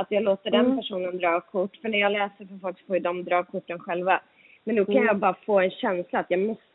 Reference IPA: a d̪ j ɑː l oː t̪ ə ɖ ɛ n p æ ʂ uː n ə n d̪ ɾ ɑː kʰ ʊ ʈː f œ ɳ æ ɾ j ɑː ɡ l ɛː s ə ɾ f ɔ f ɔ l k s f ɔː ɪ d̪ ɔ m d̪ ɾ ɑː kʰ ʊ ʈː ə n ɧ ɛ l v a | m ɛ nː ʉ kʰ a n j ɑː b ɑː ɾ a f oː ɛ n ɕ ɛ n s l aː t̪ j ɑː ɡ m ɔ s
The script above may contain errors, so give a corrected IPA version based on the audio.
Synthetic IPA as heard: a t̪ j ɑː l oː t̪ ə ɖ ɛ n p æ ʂ uː n ə n d̪ ɾ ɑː kʰ ʊ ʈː f œ ɳ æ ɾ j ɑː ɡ l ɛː s ə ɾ f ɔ f ɔ l k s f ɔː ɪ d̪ ɔ m d̪ ɾ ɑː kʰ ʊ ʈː ə n ɧ ɛ l v a | m ɛ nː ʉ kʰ a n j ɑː b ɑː ɾ a f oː ɛ n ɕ ɛ n s l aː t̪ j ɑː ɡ m ɔ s